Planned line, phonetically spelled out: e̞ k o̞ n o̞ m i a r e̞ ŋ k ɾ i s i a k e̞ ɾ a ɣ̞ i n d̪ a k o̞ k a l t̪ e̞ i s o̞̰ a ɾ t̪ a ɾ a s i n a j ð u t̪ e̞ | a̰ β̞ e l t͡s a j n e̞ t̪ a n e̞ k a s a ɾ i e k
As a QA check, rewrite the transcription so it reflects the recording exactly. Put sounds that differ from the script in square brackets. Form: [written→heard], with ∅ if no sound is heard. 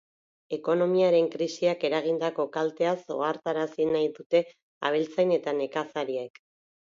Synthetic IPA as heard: e̞ k o̞ n o̞ m i a [r→ɾ] e̞ ŋ k ɾ i s i a k e̞ ɾ a ɣ̞ i n d̪ a k o̞ k a l t̪ e̞ [i→a] s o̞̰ a ɾ t̪ a ɾ a s i n a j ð u t̪ e̞ | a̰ β̞ e l t͡s a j n e̞ t̪ a n e̞ k a s a ɾ i e k